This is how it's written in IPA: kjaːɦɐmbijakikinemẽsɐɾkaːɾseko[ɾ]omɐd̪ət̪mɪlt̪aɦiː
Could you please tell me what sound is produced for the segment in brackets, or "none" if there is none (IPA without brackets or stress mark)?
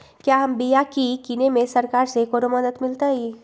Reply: ɾ